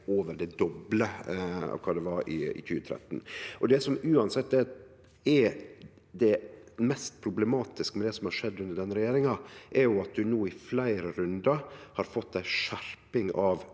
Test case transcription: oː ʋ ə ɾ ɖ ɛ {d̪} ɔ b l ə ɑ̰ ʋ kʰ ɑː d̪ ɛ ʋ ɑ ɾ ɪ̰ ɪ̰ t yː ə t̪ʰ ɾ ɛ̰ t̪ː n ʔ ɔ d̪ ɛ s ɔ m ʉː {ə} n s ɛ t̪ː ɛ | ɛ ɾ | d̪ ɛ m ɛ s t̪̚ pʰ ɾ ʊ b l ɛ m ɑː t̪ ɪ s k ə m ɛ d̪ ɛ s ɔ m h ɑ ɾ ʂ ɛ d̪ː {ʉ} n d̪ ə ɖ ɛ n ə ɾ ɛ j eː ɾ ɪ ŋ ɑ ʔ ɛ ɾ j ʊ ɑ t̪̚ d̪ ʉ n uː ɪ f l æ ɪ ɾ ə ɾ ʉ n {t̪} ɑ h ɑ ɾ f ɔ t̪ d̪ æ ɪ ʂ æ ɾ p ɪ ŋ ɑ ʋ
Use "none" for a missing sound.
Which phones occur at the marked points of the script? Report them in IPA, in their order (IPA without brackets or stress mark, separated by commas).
d̪, ɑ, ʉ, d̪